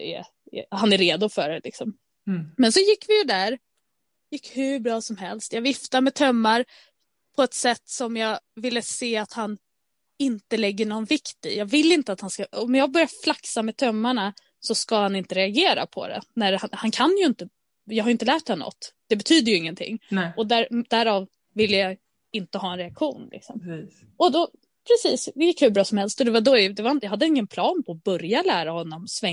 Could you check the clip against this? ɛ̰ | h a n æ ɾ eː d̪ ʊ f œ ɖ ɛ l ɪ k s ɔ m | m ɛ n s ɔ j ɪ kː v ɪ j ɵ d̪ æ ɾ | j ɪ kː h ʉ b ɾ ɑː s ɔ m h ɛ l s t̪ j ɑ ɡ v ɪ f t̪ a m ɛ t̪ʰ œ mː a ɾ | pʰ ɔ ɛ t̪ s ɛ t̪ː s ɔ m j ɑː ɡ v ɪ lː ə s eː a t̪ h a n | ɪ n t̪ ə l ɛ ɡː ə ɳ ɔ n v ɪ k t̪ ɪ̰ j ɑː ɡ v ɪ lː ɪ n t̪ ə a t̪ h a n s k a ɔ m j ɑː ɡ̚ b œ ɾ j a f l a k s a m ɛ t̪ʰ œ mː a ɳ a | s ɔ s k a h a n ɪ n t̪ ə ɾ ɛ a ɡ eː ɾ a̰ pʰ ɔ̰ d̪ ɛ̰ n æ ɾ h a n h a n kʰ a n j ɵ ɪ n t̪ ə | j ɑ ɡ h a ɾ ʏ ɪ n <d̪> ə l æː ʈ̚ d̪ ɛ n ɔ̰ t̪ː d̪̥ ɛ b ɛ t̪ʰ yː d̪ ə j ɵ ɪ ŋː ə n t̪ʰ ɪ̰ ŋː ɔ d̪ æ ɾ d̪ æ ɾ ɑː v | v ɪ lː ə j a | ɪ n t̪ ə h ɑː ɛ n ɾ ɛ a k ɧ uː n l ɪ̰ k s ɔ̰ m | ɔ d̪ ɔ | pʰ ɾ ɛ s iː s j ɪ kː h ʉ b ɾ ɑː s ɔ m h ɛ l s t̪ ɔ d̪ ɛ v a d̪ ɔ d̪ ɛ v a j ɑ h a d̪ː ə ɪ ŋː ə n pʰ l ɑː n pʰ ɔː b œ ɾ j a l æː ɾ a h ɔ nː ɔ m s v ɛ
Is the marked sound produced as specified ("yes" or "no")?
no